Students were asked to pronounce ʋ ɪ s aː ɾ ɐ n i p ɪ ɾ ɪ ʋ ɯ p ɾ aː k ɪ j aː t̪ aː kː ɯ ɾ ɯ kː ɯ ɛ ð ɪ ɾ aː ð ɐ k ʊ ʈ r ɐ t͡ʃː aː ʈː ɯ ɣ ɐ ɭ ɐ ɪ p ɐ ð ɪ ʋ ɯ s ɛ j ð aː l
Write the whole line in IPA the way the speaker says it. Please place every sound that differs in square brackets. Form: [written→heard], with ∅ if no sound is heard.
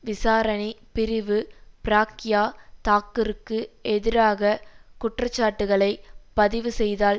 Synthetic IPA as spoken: ʋ ɪ s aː ɾ ɐ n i p ɪ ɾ ɪ ʋ ɯ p ɾ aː k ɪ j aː t̪ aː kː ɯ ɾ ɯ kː ɯ ɛ ð ɪ ɾ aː [ð→ɣ] ɐ k ʊ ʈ r ɐ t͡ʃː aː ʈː ɯ ɣ ɐ ɭ ɐ ɪ p ɐ ð ɪ ʋ ɯ s ɛ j ð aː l